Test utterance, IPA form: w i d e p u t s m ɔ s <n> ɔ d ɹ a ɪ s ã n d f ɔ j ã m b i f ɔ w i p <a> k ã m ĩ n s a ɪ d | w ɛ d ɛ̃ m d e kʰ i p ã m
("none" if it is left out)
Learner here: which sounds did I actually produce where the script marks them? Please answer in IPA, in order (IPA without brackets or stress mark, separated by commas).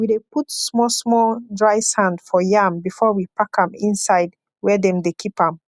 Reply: m, a